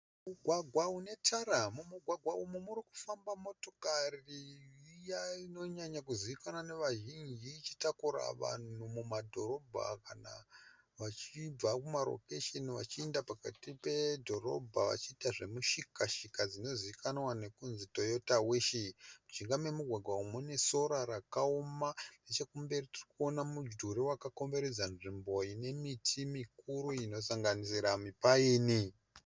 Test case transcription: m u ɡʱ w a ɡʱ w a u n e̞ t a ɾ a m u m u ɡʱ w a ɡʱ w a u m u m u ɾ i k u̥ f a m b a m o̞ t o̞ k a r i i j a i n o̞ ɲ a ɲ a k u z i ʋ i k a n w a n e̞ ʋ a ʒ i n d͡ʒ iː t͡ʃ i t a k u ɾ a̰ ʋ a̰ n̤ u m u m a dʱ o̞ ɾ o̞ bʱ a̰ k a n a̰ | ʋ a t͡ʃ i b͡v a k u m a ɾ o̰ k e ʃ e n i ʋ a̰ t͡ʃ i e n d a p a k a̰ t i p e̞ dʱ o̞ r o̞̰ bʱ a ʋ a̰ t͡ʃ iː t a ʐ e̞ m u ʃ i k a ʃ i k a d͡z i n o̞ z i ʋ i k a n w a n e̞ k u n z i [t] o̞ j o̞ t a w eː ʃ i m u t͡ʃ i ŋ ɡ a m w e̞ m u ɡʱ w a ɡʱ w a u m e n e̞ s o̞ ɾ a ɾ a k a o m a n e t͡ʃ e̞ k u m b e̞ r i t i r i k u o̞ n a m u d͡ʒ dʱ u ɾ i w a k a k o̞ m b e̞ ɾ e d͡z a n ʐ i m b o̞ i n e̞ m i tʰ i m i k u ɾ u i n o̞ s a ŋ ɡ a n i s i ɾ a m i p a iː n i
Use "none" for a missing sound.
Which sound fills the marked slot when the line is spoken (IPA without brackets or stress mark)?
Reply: t